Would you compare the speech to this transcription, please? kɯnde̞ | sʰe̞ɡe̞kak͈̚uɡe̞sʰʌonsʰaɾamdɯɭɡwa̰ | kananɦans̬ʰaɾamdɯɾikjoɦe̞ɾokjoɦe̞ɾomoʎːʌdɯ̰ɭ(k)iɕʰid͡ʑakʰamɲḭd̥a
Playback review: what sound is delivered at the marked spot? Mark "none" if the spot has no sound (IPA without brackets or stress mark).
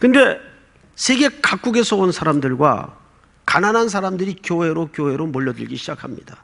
ɡ